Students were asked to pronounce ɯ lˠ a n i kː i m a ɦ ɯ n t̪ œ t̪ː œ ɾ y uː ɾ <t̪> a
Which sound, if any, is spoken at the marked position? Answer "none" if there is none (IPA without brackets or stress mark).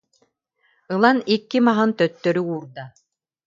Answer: d̪